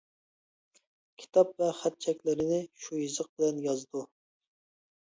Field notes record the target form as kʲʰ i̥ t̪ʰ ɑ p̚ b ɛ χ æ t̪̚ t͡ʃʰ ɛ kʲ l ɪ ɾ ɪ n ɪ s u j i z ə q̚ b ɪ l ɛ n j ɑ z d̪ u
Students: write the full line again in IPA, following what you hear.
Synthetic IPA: kʲʰ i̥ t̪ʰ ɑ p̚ v ɛ χ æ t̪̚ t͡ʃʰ ɛ kʲ l ɪ ɾ ɪ n ɪ ʃ u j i z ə q̚ b ɪ l ɛ n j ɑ z d̪ u